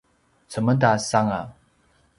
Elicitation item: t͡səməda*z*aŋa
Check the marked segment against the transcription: incorrect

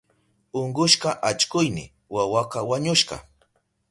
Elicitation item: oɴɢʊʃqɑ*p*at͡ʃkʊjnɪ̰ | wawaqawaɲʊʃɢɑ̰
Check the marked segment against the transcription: incorrect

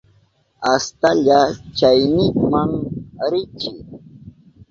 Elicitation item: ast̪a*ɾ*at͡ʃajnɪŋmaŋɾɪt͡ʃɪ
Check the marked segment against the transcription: incorrect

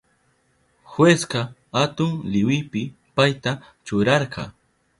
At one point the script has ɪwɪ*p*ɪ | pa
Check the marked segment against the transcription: correct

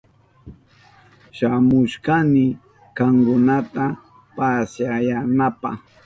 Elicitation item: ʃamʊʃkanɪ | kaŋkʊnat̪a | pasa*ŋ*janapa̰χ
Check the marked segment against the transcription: incorrect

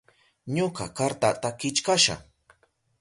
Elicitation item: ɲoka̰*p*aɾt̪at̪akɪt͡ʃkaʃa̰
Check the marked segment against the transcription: incorrect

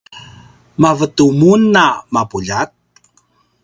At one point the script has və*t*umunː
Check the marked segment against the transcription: correct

